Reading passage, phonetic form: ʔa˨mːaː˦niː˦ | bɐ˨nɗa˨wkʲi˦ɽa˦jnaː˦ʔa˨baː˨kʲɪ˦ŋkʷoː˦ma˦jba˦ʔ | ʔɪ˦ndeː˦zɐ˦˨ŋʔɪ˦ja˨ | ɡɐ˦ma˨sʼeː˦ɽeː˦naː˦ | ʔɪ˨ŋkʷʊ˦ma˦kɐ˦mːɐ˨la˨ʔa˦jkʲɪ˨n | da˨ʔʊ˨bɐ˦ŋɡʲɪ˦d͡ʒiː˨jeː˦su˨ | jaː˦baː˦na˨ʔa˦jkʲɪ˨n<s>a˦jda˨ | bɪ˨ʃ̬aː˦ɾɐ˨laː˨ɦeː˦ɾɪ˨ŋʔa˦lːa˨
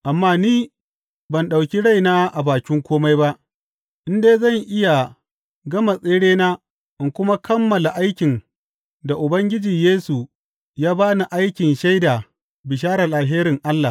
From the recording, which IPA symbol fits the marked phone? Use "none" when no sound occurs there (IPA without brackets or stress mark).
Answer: ʃ